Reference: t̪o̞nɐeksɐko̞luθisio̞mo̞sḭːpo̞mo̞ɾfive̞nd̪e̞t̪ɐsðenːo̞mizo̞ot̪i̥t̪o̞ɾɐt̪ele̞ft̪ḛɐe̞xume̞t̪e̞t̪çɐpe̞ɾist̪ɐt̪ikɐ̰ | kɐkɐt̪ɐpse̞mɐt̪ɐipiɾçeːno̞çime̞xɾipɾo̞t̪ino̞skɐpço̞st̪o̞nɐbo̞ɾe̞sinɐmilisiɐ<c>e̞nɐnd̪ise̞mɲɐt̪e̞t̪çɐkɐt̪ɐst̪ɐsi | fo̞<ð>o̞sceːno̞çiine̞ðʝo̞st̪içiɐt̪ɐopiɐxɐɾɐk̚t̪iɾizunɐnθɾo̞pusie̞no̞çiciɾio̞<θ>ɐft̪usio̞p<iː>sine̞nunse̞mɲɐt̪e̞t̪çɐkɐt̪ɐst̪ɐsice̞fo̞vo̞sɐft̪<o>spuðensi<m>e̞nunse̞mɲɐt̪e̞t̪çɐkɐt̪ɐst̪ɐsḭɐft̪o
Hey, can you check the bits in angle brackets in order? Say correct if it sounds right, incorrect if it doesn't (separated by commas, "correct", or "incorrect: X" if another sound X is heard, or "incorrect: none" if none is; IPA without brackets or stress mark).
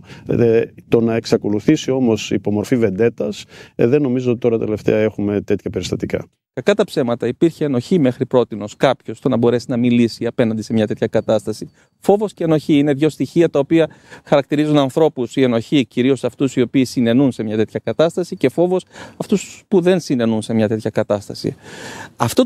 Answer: incorrect: p, incorrect: v, incorrect: s, correct, incorrect: u, incorrect: n